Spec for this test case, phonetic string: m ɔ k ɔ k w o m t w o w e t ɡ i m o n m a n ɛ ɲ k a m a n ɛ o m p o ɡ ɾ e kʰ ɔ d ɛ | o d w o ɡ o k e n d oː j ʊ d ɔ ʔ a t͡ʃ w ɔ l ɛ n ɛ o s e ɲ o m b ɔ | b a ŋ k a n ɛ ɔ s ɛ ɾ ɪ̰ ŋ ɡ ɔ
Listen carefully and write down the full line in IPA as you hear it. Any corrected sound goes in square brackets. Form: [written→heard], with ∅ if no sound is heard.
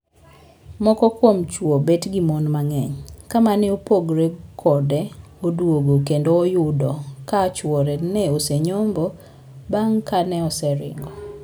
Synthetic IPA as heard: m ɔ k ɔ k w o m [t→t͡ʃ] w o [w→b] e t ɡ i m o n m a [n→ŋ] ɛ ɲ k a m a n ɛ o [m→∅] p o ɡ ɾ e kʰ ɔ d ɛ | o d w o ɡ o k e n d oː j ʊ d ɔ [ʔ→k] a t͡ʃ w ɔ [l→ɾ] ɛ n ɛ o s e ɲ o m b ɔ | b a ŋ k a n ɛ ɔ s ɛ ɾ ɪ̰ ŋ ɡ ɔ